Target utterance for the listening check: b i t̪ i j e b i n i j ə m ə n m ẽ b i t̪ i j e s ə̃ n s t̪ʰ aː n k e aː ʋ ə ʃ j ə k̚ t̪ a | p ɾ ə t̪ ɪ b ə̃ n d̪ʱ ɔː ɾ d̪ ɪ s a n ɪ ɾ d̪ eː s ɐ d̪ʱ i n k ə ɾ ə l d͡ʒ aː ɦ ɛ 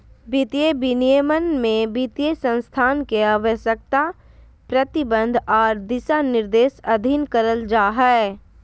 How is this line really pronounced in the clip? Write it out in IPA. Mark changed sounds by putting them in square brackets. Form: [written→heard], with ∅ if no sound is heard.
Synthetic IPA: b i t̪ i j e b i n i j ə m ə n m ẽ b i t̪ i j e s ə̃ n s t̪ʰ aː n k e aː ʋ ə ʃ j ə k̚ t̪ a | p ɾ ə t̪ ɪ b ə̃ n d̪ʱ ɔː ɾ d̪ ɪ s a n ɪ ɾ d̪ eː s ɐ d̪ʱ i n k ə ɾ ə l d͡ʒ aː ɦ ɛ